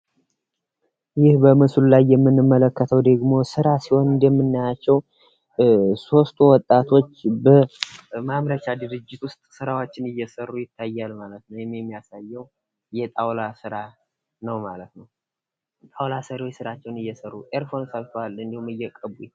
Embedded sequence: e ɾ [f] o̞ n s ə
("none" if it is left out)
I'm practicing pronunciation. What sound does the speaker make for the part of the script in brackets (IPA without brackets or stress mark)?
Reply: f